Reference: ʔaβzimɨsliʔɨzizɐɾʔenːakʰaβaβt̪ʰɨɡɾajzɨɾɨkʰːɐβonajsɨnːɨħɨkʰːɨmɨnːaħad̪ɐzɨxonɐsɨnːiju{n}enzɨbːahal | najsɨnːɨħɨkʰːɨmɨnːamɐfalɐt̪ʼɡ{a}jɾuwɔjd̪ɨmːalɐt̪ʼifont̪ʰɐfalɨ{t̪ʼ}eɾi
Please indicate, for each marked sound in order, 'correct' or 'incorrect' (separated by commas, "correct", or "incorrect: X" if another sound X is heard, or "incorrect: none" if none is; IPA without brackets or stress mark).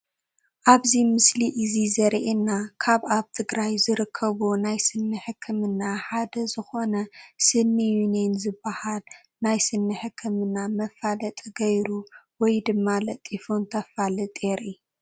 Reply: correct, incorrect: ɐ, correct